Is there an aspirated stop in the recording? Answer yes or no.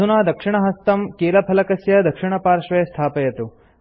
yes